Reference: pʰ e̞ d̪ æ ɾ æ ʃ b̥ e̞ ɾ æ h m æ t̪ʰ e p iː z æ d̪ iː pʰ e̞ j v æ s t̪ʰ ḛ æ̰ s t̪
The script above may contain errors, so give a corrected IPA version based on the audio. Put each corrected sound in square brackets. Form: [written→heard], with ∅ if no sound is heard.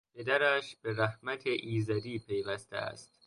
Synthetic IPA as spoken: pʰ e̞ d̪ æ ɾ æ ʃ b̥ e̞ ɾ æ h m æ t̪ʰ e [p→ʔ] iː z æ d̪ iː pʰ e̞ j v æ s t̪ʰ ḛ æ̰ s t̪